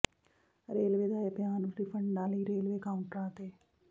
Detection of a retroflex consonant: present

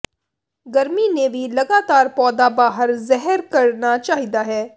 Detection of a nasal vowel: absent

